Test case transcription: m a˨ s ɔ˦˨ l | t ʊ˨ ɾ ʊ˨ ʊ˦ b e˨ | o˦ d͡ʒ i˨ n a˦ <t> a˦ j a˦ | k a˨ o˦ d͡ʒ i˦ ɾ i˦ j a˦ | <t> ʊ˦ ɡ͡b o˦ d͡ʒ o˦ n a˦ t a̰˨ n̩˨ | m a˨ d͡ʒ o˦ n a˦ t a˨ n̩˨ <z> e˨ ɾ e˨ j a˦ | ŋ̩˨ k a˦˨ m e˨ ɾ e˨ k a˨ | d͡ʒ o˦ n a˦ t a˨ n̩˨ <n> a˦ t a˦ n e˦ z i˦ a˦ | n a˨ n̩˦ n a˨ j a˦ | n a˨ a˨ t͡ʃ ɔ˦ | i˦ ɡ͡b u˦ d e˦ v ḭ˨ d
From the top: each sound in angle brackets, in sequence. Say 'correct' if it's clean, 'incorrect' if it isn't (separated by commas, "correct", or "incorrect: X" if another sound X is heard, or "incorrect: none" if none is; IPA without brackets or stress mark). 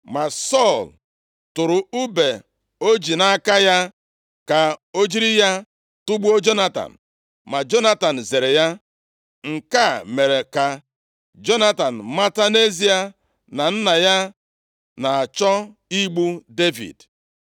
incorrect: k, correct, correct, incorrect: m